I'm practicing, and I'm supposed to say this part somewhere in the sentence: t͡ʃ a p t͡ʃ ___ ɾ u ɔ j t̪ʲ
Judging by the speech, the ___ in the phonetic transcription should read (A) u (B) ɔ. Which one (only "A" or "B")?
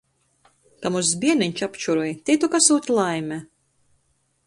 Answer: A